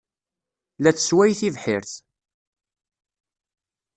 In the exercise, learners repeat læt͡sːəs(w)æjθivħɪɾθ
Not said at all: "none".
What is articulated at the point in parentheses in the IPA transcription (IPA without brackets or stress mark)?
w